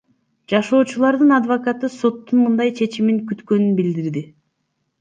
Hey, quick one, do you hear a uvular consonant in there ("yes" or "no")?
no